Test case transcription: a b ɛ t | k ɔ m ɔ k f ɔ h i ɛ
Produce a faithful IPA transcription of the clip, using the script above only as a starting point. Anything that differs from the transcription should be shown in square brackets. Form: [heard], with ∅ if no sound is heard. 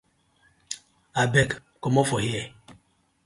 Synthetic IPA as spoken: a b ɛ [k] | k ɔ m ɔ [∅] f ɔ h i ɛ